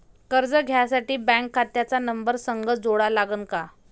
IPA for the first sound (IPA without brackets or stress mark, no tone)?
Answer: k